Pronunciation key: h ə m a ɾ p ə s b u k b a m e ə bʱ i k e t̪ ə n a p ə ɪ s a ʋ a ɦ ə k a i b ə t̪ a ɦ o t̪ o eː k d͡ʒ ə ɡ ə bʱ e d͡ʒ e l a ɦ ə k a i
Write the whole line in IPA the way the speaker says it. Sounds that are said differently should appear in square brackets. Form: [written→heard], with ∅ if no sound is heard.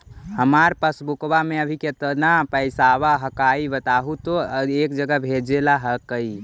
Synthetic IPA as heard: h ə m a ɾ p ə s b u k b a m e ə bʱ i k e t̪ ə n a p ə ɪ s a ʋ a ɦ ə k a i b ə t̪ a ɦ [o→u] t̪ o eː k d͡ʒ ə ɡ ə bʱ e d͡ʒ e l a ɦ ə k [a→ə] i